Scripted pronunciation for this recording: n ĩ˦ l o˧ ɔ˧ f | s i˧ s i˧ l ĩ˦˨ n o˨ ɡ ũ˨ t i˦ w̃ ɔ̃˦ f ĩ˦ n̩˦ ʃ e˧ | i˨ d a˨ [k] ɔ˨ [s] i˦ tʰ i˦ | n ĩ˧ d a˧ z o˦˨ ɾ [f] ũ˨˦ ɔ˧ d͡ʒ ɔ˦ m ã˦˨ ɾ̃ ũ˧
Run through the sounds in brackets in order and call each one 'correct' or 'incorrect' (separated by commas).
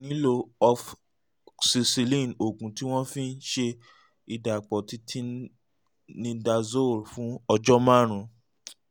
incorrect, incorrect, correct